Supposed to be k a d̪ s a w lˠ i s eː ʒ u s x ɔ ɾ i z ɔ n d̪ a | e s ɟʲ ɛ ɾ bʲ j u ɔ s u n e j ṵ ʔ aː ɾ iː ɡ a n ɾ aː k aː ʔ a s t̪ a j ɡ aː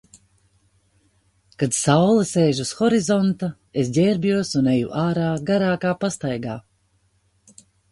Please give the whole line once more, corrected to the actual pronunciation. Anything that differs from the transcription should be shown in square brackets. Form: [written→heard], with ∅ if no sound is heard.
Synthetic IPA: k a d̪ s a w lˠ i s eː ʒ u s x ɔ ɾ i z ɔ n [d̪→t̪] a | e s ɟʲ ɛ ɾ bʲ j u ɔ s u n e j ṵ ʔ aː ɾ [iː→aː] ɡ a [n→∅] ɾ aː k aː [ʔ→p] a s t̪ a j ɡ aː